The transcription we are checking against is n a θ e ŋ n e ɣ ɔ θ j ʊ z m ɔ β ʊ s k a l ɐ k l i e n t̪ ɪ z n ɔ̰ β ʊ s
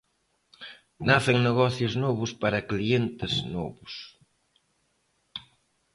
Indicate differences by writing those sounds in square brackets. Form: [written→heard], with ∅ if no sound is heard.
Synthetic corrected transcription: n a θ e ŋ n e ɣ ɔ θ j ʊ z [m→n] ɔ β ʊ s [k→p] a [l→ɾ] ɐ k l i e n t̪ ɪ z n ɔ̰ β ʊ s